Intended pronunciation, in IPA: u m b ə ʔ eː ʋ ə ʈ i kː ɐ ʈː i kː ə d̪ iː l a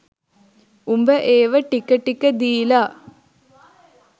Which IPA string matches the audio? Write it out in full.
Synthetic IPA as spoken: u m b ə ʔ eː ʋ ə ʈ i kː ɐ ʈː i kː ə d̪ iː l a